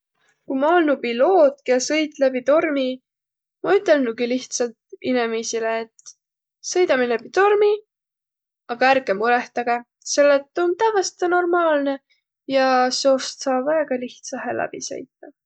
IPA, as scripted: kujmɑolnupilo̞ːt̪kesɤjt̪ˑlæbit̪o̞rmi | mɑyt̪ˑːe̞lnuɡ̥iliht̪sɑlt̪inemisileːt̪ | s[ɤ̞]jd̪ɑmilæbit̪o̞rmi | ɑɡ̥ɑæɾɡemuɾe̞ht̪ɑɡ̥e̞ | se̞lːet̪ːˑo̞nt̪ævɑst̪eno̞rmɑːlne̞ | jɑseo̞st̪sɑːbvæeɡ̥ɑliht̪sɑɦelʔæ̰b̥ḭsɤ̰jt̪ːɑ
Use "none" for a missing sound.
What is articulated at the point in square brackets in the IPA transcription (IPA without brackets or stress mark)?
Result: ɤ̞